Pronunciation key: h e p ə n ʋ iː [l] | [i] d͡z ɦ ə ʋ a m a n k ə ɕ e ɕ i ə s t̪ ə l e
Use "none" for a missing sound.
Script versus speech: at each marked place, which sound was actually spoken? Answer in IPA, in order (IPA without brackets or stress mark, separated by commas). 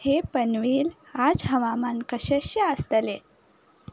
l, a